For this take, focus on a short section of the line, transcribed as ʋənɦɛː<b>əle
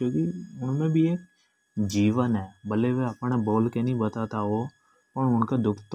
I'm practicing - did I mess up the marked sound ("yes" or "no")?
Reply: no